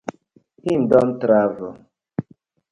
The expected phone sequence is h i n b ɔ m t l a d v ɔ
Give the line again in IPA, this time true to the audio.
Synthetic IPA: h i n d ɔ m t ɾ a v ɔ